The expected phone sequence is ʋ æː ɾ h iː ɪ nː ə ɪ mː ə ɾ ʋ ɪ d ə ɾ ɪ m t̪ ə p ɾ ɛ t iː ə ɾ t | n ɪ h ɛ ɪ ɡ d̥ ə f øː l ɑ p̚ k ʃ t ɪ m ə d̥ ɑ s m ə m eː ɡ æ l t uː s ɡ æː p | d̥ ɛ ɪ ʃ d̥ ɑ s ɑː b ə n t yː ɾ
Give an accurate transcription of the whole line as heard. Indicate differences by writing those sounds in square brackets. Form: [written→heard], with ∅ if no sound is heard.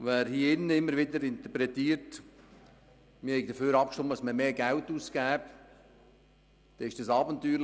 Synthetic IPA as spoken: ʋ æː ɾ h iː ɪ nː ə ɪ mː ə ɾ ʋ ɪ d ə ɾ ɪ [m→n] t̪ ə p ɾ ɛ t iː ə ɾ t | [n→m] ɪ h ɛ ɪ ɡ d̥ ə f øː [l→ɾ] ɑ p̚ k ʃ t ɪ m ə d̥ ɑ s m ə m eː ɡ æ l t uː s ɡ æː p | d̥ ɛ ɪ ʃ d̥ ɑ s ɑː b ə n t yː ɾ